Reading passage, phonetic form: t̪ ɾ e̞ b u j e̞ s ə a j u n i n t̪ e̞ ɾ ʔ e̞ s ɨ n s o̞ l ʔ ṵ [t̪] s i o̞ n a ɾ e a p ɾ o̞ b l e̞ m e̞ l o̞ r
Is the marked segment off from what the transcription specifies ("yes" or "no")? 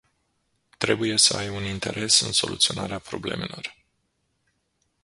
no